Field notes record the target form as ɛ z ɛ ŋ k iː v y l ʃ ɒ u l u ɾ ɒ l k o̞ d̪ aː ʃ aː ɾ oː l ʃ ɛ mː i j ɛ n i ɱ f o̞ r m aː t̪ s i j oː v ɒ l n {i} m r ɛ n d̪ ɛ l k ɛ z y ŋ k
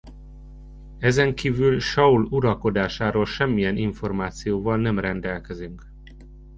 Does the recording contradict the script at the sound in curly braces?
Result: yes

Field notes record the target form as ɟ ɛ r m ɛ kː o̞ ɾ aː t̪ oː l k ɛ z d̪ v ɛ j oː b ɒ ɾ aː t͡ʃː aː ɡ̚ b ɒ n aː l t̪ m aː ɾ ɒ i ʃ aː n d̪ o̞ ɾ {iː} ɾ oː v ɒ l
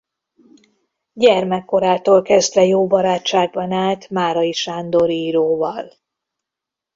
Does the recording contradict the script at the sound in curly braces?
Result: no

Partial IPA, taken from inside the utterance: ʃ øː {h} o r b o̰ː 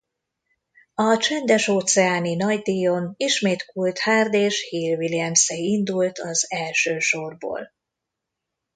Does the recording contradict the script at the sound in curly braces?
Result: yes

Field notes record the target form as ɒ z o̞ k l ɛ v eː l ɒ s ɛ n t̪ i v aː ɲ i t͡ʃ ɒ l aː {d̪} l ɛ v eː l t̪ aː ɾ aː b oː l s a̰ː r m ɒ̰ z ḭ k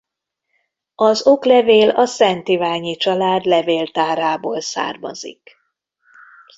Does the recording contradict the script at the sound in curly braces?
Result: no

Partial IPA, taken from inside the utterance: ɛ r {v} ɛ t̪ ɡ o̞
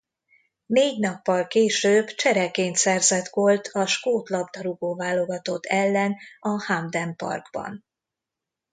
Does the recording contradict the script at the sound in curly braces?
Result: yes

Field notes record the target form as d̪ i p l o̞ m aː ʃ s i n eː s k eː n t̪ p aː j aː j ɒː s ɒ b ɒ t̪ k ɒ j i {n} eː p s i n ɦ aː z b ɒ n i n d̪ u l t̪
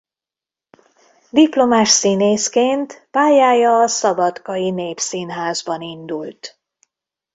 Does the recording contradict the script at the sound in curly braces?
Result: no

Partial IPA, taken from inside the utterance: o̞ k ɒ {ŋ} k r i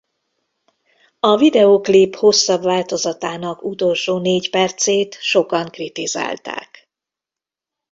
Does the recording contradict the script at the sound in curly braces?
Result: no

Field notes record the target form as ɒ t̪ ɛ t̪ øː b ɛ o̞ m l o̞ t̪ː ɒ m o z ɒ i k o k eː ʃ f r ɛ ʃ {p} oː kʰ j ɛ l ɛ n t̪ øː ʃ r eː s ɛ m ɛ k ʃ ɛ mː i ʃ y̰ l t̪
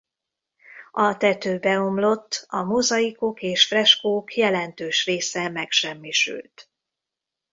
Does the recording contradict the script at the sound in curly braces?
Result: yes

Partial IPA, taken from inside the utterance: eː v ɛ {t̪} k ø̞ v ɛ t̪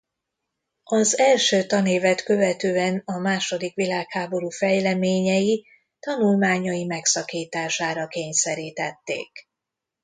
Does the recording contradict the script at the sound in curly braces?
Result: no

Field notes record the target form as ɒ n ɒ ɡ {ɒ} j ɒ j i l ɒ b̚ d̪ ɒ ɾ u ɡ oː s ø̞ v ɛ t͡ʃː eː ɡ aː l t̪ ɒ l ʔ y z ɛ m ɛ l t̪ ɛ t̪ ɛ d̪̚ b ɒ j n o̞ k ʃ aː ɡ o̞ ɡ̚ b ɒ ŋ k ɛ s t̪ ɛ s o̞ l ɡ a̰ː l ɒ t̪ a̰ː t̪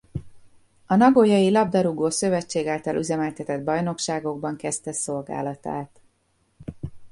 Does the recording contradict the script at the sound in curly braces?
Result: yes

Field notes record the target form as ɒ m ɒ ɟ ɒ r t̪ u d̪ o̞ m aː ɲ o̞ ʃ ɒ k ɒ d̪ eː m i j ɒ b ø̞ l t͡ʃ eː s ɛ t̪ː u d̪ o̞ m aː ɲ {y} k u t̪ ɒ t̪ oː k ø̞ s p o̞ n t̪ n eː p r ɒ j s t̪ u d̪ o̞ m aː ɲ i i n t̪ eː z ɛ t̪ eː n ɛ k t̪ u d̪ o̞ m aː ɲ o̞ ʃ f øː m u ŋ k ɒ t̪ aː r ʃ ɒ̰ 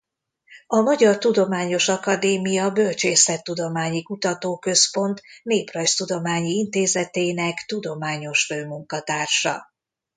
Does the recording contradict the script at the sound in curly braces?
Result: yes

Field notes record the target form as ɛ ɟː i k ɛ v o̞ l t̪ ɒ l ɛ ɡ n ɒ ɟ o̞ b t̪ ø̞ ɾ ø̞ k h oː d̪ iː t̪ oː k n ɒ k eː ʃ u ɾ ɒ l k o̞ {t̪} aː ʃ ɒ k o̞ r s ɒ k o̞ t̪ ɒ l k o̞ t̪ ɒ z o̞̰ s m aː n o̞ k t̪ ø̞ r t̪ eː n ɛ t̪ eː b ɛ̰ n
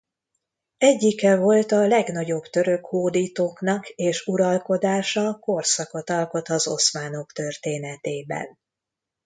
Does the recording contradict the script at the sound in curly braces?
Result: yes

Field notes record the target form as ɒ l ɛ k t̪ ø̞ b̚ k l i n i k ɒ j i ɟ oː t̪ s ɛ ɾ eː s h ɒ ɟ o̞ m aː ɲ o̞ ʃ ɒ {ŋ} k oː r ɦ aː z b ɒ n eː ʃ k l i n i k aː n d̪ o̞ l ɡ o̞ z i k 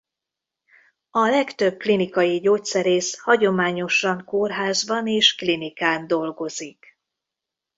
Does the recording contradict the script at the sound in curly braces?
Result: no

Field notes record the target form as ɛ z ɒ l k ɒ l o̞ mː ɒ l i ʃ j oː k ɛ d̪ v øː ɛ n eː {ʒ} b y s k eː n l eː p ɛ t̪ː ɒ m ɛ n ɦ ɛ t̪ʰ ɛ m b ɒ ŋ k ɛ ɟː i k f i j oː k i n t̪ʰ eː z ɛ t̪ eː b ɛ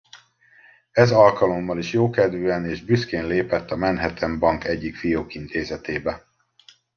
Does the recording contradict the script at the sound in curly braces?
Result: no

